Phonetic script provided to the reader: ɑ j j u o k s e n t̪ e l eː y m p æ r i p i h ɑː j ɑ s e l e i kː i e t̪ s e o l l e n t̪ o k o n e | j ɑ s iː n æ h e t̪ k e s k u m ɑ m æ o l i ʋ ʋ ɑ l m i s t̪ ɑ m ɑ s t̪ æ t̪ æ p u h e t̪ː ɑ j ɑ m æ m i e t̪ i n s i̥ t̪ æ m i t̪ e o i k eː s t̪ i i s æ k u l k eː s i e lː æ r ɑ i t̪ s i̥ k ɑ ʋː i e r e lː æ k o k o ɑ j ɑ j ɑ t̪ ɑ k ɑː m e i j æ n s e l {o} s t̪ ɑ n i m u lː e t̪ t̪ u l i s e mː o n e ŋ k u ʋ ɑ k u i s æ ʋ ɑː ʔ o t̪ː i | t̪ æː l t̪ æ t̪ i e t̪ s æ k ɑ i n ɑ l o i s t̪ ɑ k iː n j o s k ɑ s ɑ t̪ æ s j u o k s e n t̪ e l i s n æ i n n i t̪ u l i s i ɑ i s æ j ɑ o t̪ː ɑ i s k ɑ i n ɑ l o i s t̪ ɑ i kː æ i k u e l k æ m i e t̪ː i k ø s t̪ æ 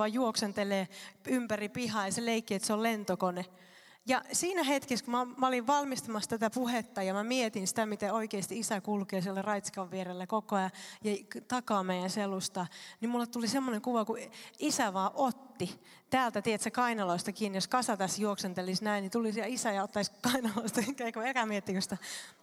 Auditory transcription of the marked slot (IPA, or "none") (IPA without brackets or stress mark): u